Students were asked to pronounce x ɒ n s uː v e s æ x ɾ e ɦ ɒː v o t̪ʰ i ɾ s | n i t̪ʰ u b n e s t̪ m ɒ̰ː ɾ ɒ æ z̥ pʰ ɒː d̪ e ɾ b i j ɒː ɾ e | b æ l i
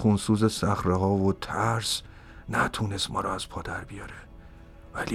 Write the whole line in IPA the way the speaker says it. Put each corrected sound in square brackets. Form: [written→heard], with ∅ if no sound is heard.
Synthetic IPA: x [ɒ→u] n s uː [v→z] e s æ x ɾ e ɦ ɒː v o t̪ʰ [i→æ] ɾ s | n [i→æ] t̪ʰ u [b→∅] n e s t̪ m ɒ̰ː ɾ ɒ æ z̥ pʰ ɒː d̪ [e→æ] ɾ b i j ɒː ɾ e | [b→v] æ l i